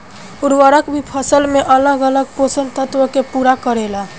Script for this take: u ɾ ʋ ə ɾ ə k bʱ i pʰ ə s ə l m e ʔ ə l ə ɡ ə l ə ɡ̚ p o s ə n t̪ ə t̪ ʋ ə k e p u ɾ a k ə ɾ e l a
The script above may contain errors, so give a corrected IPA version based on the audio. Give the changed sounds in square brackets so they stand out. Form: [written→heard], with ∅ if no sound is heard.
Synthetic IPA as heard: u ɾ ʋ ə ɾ ə k bʱ i pʰ ə s ə l m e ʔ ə l ə ɡ ə l ə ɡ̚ p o s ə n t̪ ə t̪ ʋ ə k e p u ɾ a k ə ɾ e l a